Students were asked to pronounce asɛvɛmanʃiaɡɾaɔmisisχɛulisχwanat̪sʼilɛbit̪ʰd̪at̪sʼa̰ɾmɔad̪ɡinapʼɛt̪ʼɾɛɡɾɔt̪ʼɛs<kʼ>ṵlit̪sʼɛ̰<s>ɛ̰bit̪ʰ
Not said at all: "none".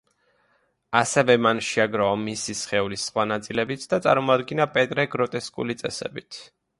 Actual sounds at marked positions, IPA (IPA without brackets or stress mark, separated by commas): kʼ, s